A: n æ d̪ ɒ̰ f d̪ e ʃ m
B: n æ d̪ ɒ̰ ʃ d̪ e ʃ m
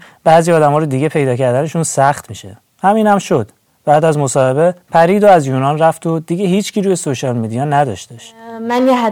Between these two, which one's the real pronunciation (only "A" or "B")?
B